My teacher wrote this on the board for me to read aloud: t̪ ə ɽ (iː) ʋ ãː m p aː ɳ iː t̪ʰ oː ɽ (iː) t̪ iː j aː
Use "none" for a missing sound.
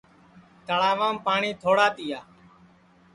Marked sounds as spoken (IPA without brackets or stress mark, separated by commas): aː, aː